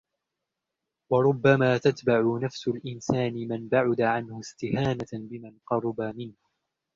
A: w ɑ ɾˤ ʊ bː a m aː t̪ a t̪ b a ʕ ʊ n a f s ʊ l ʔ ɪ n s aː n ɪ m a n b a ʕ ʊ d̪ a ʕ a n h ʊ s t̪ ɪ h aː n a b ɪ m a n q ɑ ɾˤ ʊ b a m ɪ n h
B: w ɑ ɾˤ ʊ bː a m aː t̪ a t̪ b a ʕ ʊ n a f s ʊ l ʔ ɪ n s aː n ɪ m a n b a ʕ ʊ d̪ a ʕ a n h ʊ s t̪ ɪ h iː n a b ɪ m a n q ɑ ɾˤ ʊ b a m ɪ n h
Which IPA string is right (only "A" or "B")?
A